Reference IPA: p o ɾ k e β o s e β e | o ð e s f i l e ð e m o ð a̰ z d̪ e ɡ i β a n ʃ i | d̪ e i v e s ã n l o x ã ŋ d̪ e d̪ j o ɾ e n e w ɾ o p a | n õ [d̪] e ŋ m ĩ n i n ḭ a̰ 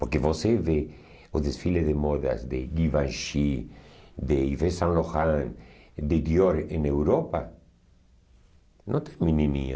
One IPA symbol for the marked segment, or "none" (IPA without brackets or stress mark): t̪